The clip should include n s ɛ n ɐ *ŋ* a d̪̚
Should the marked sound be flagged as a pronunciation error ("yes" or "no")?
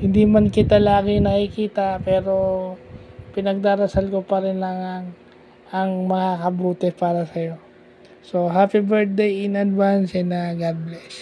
yes